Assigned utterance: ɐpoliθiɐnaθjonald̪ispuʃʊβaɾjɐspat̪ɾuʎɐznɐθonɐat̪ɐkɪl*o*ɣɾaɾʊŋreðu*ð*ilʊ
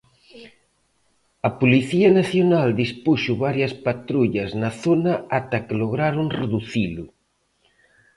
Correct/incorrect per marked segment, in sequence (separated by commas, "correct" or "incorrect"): correct, incorrect